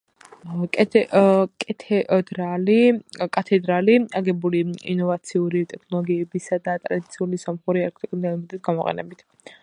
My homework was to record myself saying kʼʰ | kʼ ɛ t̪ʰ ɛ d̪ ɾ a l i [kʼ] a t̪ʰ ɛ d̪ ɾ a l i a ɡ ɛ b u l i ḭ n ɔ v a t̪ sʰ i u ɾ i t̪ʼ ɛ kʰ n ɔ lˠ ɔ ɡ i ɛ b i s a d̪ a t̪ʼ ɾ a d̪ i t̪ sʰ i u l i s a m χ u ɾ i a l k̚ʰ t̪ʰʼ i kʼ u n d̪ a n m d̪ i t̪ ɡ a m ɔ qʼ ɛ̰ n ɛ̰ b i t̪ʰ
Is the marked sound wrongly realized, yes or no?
no